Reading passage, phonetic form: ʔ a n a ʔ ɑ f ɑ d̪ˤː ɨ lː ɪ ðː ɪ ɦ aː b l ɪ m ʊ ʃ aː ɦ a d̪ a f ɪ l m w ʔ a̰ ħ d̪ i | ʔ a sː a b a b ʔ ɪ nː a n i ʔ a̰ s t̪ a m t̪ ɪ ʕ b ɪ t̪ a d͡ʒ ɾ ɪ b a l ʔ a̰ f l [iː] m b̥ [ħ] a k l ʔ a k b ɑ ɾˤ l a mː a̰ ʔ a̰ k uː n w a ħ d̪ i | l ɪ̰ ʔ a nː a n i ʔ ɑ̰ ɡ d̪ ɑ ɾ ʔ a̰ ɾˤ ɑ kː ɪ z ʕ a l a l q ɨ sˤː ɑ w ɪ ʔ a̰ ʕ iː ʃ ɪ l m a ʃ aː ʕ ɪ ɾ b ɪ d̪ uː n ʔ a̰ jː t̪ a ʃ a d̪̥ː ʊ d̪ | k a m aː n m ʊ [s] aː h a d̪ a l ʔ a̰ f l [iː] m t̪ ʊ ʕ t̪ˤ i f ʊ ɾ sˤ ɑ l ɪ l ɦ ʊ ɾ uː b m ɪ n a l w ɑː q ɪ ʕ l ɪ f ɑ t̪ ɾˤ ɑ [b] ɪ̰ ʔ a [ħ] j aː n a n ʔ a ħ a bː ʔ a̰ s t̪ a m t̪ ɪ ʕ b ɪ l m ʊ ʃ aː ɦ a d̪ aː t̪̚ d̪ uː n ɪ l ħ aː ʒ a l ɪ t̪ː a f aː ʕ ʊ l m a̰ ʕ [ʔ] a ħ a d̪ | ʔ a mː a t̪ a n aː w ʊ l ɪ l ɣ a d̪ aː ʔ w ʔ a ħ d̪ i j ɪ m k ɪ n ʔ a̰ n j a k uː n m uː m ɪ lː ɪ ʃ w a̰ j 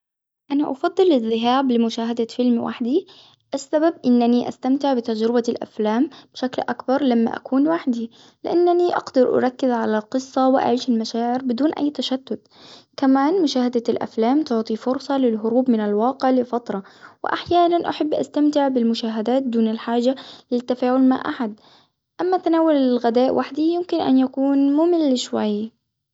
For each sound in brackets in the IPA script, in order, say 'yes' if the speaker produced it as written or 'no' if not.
no, no, no, no, no, yes, yes

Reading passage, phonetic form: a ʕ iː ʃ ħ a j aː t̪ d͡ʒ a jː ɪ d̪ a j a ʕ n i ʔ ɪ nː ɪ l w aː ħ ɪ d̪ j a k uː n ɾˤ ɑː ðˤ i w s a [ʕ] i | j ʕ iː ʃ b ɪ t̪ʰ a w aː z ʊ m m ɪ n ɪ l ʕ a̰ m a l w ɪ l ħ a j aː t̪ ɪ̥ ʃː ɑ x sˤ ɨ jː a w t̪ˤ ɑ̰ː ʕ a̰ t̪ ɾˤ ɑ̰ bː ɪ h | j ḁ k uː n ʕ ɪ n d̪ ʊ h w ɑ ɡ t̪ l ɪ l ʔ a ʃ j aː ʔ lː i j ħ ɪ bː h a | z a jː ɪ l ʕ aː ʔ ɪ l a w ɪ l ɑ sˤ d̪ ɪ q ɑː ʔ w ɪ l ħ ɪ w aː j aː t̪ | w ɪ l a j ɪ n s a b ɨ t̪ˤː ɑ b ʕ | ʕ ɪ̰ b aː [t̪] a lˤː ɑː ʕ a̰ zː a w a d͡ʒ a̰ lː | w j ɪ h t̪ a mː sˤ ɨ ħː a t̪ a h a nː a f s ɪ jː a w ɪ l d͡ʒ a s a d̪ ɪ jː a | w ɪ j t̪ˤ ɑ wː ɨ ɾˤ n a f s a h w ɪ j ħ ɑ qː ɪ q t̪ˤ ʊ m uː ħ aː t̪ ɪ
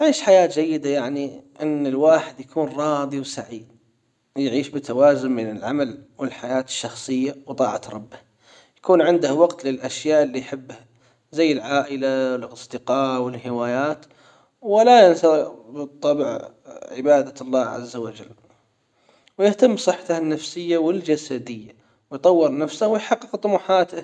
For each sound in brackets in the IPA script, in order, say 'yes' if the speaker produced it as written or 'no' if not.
yes, no

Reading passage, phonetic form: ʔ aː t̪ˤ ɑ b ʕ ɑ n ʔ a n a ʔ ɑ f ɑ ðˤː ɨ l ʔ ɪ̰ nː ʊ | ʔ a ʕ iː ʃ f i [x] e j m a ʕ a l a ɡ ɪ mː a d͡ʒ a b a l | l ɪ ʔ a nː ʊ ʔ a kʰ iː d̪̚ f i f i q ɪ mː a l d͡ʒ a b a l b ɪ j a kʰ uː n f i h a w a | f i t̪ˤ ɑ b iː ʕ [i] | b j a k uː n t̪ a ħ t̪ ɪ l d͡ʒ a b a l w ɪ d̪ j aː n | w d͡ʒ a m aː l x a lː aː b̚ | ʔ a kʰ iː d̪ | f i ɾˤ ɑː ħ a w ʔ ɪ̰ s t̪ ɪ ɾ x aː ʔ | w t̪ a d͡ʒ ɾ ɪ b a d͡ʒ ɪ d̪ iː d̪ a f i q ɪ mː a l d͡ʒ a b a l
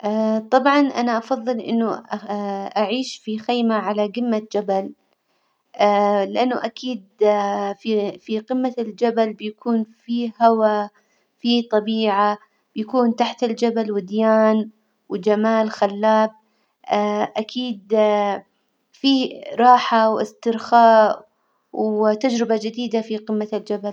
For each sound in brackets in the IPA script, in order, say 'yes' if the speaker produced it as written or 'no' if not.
yes, no

